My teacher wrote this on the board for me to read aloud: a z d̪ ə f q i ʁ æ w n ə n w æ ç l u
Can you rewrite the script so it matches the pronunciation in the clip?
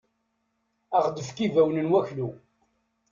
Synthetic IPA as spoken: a ʁ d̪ ə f k i v æ w n ə n w æ ç l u